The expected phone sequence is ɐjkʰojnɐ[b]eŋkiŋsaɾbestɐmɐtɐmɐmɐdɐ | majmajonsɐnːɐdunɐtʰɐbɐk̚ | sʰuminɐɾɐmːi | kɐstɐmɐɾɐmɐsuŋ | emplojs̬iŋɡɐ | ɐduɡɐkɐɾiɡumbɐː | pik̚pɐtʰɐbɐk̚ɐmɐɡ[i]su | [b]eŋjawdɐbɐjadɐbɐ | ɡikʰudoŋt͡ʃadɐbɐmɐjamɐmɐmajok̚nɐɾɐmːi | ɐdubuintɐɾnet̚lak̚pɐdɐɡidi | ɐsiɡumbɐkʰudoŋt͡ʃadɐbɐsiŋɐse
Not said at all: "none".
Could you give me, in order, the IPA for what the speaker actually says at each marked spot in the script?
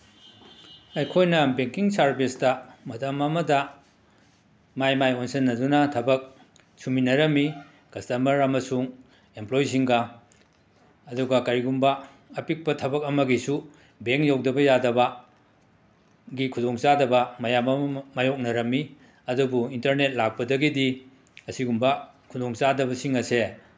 b, i, b

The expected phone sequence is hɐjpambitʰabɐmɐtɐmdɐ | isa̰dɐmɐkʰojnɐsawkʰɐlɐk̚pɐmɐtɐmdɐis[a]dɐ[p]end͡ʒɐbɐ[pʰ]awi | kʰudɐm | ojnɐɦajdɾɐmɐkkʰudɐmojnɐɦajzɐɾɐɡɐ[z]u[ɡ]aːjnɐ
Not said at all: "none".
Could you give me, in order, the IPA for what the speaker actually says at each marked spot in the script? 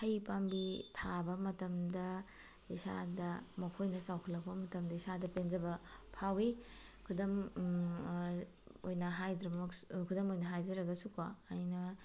a, p, pʰ, s, k

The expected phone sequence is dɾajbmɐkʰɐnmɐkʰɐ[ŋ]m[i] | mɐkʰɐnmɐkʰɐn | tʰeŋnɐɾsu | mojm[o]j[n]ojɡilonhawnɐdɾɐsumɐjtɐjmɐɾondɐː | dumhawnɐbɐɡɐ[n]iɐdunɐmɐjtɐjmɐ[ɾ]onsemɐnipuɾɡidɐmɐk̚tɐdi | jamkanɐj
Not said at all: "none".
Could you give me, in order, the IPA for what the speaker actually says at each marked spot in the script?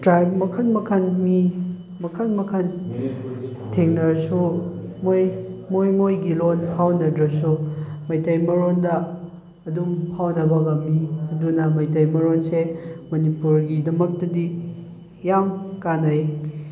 n, i, o, m, m, ɾ

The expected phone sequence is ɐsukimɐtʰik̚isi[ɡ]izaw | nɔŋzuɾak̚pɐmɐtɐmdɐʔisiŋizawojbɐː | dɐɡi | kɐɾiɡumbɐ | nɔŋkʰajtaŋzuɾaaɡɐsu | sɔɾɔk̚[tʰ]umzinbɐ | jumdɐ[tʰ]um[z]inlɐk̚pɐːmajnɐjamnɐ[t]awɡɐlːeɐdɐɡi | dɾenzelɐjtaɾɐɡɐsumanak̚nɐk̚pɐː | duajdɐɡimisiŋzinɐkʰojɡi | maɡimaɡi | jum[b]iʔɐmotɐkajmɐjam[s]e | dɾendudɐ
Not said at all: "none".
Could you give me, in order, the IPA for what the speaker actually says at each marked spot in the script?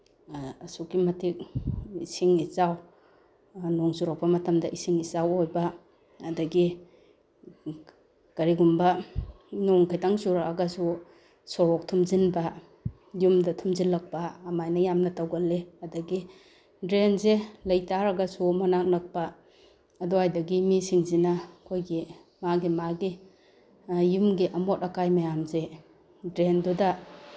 ŋ, tʰ, tʰ, z, t, ɡ, z

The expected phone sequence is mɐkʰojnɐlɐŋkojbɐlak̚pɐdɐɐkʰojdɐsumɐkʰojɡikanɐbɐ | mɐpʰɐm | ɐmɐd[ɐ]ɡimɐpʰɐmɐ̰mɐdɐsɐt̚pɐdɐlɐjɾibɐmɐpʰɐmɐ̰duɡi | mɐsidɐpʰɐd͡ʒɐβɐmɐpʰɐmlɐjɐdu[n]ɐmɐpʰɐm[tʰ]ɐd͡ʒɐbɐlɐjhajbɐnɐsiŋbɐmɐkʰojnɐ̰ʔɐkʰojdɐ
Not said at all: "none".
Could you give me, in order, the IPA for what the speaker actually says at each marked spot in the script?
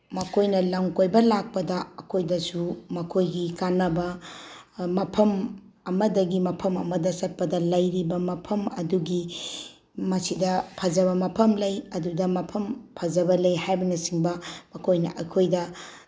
ɐ, d, pʰ

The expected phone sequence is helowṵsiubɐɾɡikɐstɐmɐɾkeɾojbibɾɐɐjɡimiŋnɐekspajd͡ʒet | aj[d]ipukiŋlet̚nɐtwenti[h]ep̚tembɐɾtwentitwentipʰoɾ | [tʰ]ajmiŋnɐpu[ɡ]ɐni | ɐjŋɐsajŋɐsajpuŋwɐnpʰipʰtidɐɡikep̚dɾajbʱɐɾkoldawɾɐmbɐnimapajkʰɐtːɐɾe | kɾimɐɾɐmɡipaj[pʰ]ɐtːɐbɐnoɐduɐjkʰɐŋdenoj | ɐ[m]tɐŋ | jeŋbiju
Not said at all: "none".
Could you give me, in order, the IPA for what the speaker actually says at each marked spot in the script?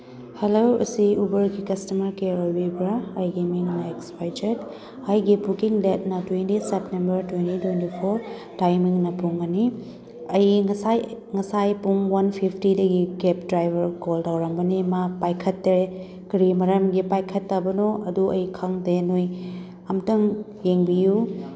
ɡ, s, t, ŋ, kʰ, m

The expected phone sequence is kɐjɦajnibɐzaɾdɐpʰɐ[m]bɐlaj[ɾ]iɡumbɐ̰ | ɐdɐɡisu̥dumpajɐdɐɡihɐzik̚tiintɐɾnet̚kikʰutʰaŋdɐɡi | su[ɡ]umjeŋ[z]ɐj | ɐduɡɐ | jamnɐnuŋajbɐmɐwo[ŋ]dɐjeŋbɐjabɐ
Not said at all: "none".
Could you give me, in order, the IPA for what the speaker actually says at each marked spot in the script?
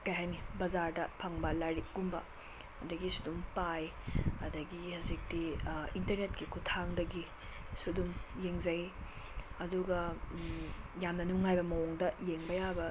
ŋ, ɾ, d, z, ŋ

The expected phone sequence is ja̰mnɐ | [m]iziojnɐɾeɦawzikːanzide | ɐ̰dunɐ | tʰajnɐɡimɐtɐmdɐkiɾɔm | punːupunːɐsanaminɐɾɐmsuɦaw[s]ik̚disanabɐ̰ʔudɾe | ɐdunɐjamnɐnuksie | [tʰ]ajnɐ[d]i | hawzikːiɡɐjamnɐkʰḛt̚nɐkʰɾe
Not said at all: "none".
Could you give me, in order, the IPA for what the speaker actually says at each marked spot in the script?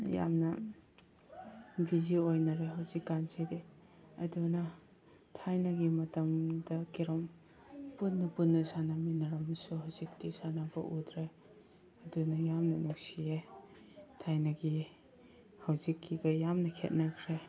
b, z, tʰ, ɡ

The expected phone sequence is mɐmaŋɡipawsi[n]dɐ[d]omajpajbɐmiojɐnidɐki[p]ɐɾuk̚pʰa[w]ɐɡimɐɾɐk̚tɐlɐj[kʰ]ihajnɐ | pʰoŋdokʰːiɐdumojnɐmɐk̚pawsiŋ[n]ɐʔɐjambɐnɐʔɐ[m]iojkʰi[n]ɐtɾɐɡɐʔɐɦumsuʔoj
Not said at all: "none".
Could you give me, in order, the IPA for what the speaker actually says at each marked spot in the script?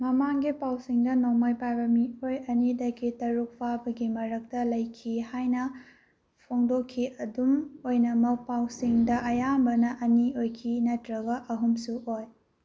ŋ, n, t, b, kʰ, d, n, n

